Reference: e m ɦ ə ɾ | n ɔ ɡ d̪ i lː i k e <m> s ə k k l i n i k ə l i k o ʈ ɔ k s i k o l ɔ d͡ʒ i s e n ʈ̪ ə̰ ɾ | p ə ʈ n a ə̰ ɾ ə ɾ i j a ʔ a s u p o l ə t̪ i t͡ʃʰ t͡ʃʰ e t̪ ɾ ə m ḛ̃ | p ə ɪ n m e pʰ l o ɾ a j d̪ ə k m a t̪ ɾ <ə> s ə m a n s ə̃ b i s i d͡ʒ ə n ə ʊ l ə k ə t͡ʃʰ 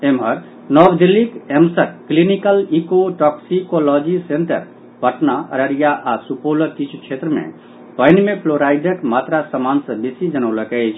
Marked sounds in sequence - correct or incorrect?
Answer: correct, incorrect

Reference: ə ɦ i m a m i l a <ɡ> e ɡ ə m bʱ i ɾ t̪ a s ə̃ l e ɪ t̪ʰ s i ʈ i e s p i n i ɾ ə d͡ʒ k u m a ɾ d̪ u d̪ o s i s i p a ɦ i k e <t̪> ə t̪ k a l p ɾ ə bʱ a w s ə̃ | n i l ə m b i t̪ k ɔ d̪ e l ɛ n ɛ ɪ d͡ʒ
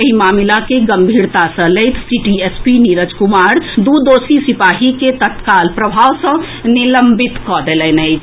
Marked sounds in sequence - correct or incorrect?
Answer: incorrect, correct

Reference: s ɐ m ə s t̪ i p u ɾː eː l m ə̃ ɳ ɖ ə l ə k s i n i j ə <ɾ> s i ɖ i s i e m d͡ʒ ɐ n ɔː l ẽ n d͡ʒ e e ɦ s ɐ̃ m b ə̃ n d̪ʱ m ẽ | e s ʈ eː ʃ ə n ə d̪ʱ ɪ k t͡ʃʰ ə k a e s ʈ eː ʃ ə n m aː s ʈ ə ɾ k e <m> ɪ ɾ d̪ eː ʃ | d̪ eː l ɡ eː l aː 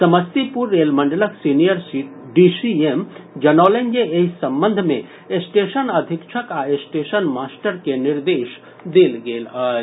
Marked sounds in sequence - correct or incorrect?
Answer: correct, incorrect

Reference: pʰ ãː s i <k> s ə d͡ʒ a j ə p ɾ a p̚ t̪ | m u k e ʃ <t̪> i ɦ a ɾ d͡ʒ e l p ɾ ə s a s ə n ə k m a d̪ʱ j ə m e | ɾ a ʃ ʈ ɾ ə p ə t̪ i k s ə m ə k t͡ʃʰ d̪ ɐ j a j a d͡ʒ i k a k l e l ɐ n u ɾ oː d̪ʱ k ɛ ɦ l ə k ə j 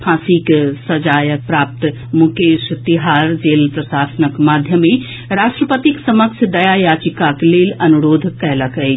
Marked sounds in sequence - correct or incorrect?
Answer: correct, correct

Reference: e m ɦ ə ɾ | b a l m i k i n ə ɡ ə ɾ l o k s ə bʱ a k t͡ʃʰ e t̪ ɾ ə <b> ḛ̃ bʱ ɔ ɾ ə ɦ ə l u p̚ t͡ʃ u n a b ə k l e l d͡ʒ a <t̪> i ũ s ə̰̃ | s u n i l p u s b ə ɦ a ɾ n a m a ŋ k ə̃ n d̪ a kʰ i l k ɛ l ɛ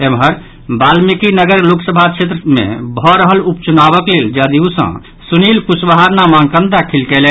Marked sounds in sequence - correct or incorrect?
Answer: incorrect, incorrect

